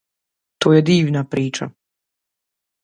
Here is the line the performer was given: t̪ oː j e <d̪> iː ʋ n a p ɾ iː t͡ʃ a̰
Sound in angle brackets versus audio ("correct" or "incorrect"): correct